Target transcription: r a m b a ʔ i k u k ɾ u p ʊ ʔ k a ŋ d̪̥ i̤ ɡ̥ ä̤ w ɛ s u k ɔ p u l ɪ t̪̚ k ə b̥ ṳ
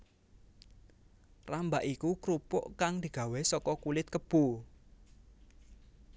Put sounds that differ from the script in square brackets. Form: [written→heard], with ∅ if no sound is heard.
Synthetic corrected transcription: r a m b a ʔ i k u k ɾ u p ʊ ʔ k a ŋ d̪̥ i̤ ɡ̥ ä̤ w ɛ s [u→ɔ] k ɔ [p→k] u l ɪ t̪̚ k ə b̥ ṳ